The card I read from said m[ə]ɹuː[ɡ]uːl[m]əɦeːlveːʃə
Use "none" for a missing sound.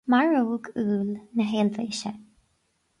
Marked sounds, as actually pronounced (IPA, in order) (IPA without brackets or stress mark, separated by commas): a, ɡ, n